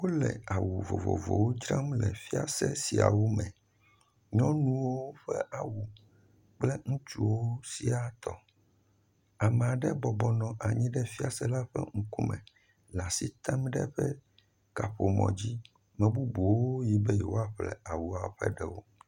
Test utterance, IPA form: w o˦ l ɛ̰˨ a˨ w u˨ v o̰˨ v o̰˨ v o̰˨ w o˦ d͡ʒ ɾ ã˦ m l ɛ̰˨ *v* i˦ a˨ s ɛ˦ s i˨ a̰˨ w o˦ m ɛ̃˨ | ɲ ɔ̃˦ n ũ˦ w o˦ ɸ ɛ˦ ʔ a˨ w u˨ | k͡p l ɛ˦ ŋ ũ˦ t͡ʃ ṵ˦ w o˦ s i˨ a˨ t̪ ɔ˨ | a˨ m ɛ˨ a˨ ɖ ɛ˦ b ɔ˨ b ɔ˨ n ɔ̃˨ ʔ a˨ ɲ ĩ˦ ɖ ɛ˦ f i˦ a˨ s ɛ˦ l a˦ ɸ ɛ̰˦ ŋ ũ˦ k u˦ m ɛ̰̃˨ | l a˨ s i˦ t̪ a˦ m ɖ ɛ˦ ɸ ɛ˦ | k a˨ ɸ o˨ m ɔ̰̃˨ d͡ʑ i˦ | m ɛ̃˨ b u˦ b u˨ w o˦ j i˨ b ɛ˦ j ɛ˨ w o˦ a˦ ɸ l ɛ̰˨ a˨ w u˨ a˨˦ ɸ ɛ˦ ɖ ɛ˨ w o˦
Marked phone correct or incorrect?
incorrect